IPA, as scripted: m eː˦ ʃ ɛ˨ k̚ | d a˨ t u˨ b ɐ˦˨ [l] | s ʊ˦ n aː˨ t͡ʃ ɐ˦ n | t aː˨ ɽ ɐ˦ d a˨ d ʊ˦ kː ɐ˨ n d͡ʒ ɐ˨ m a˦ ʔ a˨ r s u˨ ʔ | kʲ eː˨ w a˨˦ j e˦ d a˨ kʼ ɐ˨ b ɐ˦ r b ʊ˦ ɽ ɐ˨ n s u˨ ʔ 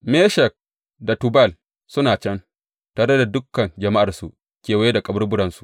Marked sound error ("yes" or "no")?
no